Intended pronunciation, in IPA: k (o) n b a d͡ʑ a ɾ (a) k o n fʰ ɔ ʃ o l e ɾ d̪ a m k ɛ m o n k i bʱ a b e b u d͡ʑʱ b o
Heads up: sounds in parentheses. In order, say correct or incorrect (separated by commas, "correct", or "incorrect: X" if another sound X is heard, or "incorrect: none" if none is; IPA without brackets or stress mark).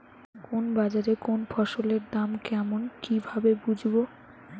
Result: correct, incorrect: e